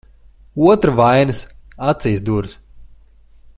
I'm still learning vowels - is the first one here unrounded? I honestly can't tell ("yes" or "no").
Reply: no